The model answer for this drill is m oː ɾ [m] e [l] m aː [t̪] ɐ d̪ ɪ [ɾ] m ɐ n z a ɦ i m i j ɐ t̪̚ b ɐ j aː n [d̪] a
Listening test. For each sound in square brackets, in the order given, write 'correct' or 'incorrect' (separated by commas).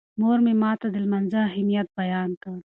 correct, incorrect, correct, incorrect, incorrect